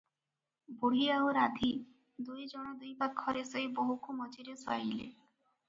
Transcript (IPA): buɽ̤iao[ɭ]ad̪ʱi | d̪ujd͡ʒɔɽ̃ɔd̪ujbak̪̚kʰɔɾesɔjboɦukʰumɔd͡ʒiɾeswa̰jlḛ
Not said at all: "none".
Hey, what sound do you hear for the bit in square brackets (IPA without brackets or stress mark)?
ɾ